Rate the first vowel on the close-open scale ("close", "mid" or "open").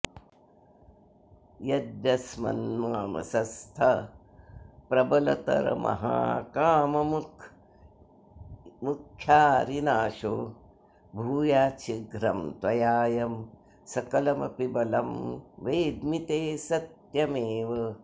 open